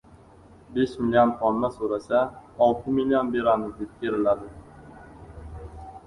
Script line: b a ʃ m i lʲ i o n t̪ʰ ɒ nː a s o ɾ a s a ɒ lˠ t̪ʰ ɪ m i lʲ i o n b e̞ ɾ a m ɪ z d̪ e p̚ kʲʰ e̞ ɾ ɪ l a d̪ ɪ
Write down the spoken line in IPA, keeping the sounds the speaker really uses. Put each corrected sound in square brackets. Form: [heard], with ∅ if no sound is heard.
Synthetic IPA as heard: b [e] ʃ m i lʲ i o n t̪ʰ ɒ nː a s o ɾ a s a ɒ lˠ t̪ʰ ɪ m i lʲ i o n b e̞ ɾ a m ɪ z d̪ e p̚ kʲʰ e̞ ɾ ɪ l a d̪ ɪ